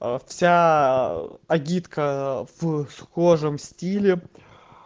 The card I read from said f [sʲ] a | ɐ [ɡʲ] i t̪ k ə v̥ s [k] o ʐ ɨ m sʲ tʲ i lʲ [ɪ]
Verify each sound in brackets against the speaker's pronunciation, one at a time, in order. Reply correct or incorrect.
correct, correct, incorrect, correct

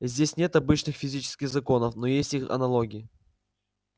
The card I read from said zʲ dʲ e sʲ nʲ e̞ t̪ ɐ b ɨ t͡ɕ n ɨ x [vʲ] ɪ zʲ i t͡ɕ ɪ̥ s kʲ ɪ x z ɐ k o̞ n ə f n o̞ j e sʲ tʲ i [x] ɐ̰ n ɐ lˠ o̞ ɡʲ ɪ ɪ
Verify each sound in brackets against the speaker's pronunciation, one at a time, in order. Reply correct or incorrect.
incorrect, correct

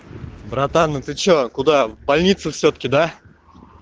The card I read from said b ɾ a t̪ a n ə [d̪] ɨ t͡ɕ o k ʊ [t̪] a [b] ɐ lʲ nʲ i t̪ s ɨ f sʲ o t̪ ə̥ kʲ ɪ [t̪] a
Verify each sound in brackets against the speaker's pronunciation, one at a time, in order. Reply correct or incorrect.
incorrect, incorrect, correct, incorrect

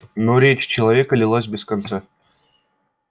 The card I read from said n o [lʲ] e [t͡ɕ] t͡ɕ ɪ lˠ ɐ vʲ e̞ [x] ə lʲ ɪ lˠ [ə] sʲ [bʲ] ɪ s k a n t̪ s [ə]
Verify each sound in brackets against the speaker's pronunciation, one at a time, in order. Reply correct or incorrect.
incorrect, correct, incorrect, incorrect, correct, incorrect

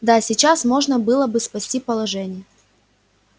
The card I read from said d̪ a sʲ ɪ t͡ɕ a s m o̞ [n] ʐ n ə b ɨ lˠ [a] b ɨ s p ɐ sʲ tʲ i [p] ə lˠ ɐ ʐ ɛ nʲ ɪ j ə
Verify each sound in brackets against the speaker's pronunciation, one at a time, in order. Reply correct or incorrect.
incorrect, incorrect, correct

